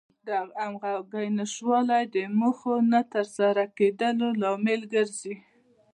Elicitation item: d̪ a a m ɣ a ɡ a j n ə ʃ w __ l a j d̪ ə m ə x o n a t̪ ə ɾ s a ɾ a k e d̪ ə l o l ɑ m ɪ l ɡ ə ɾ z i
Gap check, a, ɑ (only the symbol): ɑ